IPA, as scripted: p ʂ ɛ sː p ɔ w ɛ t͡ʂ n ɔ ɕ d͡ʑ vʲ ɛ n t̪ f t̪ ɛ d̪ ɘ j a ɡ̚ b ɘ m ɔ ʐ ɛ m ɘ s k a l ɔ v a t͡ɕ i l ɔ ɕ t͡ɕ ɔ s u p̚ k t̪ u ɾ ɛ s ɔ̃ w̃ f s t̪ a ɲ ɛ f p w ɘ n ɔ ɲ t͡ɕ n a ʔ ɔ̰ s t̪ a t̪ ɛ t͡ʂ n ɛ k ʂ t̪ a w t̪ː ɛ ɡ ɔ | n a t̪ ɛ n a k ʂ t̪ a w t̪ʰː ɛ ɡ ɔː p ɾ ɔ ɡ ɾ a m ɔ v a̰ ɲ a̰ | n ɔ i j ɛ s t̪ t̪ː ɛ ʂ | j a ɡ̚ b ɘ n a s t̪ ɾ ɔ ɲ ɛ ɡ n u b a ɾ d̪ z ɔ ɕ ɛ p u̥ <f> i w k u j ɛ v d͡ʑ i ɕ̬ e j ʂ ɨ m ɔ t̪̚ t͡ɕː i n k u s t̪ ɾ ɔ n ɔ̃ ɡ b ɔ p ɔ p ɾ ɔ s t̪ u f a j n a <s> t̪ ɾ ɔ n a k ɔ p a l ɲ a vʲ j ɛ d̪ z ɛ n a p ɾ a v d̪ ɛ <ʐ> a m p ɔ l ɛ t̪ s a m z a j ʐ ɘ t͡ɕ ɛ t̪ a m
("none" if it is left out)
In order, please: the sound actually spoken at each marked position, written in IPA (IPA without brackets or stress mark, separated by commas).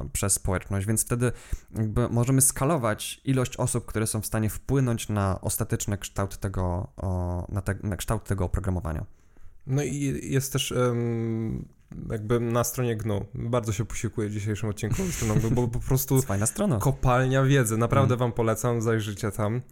ɕ, s, v